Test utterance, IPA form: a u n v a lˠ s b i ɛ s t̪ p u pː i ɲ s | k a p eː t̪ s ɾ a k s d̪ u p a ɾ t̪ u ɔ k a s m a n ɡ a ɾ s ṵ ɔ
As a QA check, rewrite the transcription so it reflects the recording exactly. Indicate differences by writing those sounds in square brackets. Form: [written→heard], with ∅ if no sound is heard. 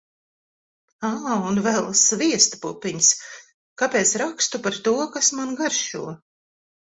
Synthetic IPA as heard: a u n v [a→ɛ] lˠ s [b→v] i ɛ s t̪ p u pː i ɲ s | k a p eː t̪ s ɾ a k s [d̪→t̪] u p a ɾ t̪ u ɔ k a s m a n ɡ a ɾ [s→ʃ] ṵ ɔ

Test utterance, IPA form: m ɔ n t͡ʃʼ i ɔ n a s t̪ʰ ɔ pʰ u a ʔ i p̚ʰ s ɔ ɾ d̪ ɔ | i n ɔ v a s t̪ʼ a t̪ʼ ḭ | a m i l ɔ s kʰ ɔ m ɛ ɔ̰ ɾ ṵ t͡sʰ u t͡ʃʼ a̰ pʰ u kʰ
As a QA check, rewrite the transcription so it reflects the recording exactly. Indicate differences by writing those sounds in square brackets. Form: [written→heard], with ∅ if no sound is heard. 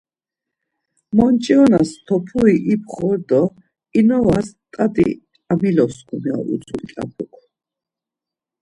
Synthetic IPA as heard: m ɔ n t͡ʃʼ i ɔ n a s t̪ʰ ɔ pʰ u [a→i] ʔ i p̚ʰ [s→χ] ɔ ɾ d̪ ɔ | i n ɔ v a s t̪ʼ a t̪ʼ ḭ | a m i l ɔ s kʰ [ɔ→u] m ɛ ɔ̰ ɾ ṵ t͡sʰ u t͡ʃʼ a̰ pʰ u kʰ

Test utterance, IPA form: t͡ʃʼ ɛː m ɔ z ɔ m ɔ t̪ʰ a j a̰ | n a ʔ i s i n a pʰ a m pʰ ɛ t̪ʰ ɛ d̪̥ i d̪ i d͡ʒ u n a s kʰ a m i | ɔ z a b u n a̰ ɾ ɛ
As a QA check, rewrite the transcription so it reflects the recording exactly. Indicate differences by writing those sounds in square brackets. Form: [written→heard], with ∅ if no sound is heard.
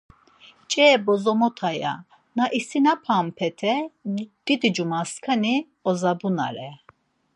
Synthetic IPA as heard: t͡ʃʼ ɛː [m→b] ɔ z ɔ m ɔ t̪ʰ a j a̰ | n a ʔ i s i n a pʰ a m pʰ ɛ t̪ʰ ɛ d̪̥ i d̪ i d͡ʒ u [n→m] a s kʰ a [m→n] i | ɔ z a b u n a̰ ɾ ɛ

